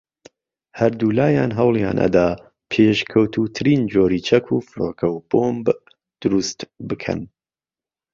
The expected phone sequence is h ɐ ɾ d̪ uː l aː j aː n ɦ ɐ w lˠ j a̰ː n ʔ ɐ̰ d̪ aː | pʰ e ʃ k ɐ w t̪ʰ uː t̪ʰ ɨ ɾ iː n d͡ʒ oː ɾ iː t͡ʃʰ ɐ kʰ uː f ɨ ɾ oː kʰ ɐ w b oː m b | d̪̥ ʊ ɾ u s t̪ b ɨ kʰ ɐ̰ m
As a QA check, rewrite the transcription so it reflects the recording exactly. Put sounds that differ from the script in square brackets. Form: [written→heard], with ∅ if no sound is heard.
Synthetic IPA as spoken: h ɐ ɾ d̪ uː l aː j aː n ɦ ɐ w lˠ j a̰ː n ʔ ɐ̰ d̪ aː | pʰ e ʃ [k→kʰ] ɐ w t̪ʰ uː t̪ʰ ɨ ɾ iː n d͡ʒ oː ɾ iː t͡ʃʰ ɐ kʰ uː f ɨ ɾ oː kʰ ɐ w b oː m b | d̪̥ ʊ ɾ u s t̪ b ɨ kʰ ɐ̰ [m→n]